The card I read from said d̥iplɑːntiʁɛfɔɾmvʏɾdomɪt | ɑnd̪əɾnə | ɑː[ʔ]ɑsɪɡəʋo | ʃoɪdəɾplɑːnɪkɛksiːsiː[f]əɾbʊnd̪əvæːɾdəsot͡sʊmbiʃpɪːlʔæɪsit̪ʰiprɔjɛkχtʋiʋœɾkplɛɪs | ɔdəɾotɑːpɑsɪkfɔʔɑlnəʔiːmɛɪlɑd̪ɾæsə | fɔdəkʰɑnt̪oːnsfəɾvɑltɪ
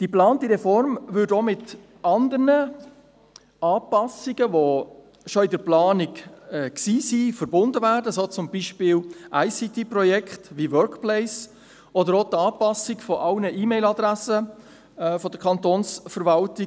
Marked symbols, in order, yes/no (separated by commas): no, yes